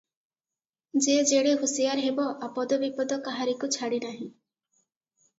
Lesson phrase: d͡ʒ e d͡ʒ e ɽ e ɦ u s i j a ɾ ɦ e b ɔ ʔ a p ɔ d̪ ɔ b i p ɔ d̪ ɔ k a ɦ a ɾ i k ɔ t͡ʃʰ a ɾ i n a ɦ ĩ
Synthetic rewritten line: d͡ʒ e d͡ʒ e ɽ e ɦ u s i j a ɾ ɦ e b ɔ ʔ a p ɔ d̪ ɔ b i p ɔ d̪ ɔ k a ɦ a ɾ i k u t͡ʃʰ a ɽ i n a ɦ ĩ